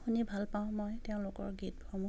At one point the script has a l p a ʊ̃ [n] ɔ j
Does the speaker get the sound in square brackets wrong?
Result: yes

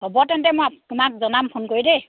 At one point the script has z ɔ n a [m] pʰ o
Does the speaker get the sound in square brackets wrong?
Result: no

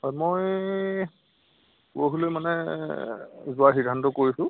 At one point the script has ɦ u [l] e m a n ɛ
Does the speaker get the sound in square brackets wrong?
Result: no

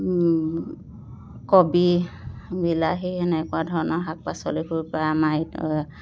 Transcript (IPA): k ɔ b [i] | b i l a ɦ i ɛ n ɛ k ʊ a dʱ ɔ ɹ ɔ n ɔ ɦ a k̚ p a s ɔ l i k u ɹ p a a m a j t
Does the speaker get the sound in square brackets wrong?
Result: no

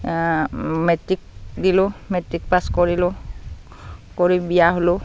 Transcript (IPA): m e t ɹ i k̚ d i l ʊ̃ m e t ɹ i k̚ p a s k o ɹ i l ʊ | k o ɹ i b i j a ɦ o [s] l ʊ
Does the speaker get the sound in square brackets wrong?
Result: yes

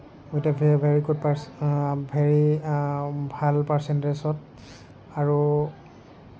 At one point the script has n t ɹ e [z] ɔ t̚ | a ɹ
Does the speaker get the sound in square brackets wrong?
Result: yes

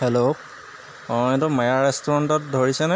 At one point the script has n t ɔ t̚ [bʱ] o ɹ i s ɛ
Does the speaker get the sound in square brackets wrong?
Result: yes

